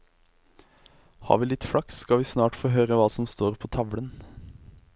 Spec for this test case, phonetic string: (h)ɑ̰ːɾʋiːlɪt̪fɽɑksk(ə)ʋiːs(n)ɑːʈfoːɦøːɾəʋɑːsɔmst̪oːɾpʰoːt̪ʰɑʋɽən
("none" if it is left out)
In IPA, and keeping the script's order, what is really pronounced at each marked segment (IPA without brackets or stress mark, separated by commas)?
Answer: h, ɑ, n